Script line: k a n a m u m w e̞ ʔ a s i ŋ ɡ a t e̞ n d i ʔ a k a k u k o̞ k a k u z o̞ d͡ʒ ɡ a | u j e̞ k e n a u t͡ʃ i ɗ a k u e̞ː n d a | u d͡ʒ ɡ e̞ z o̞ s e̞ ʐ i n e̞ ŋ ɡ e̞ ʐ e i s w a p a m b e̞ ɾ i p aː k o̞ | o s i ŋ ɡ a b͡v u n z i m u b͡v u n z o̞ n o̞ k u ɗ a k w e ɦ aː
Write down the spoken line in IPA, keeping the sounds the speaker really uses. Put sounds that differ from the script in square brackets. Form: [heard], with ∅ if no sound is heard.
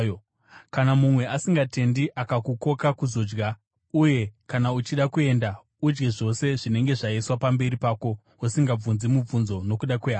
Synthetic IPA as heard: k a n a m u m w e̞ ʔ a s i ŋ ɡ a t e̞ n d i ʔ a k a k u k o̞ k a k u z o̞ d͡ʒ ɡ a | u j e̞ k [a] n a u t͡ʃ i ɗ a k u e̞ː n d a | u d͡ʒ ɡ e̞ [ʐ] o̞ s e̞ ʐ i n e̞ ŋ ɡ e̞ ʐ [a] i s w a p a m b e̞ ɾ i p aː k o̞ | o s i ŋ ɡ a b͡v u n z i m u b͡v u n z o̞ n o̞ k u ɗ a k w e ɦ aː

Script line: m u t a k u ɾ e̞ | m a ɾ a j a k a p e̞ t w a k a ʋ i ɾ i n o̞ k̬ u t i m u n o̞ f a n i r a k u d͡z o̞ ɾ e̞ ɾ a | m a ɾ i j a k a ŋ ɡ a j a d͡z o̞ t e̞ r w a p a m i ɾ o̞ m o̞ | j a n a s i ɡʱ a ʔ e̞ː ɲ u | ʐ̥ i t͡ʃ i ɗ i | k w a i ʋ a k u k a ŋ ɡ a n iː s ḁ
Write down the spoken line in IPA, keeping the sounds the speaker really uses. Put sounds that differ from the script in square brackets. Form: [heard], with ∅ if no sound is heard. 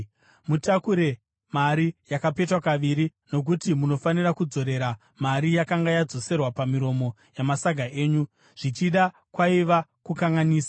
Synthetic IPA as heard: m u t a k u ɾ e̞ | m a ɾ [i] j a k a p e̞ t w a k a ʋ i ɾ i n o̞ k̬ u t i m u n o̞ f a n i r a k u d͡z o̞ ɾ e̞ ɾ a | m a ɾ i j a k a ŋ ɡ a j a d͡z o̞ [s] e̞ r w a p a m i ɾ o̞ m o̞ | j a [m] a s [a] ɡʱ a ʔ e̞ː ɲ u | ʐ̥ i t͡ʃ i ɗ [a] | k w a i ʋ a k u k a ŋ ɡ a n iː s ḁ

